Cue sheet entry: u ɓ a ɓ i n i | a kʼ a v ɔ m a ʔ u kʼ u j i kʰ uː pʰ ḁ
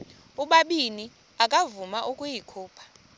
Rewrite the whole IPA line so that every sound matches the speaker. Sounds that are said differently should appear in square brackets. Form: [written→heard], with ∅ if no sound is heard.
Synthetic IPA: u ɓ a ɓ i n i | a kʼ a v [ɔ→u] m a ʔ u kʼ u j i kʰ uː pʰ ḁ

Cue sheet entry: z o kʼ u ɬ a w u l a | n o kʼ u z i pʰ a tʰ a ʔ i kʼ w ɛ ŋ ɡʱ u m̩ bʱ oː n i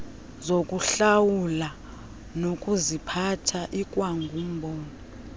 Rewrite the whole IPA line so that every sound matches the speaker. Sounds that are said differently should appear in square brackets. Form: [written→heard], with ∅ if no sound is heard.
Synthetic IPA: z o kʼ u ɬ a w u l a | n o kʼ u z i pʰ a tʰ a ʔ i kʼ w [ɛ→a] ŋ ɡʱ u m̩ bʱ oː n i

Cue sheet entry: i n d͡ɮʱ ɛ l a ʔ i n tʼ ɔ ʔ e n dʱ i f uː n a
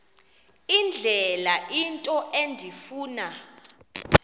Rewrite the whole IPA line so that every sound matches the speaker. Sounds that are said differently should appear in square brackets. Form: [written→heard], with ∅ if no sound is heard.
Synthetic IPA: i n d͡ɮʱ ɛ l a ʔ i n tʼ ɔ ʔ e n dʱ i f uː n a

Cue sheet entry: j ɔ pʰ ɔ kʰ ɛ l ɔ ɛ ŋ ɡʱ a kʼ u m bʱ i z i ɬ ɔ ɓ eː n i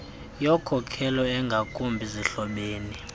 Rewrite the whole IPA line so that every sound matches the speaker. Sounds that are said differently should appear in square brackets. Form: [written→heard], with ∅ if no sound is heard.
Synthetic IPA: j ɔ [pʰ→kʰ] ɔ kʰ ɛ l ɔ ɛ ŋ ɡʱ a kʼ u m bʱ i z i ɬ ɔ ɓ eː n i

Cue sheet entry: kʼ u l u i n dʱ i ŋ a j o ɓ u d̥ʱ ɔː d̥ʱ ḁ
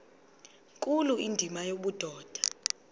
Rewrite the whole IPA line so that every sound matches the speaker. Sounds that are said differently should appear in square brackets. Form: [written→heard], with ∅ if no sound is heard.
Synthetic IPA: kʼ u l u i n dʱ i [ŋ→m] a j o ɓ u d̥ʱ ɔː d̥ʱ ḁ

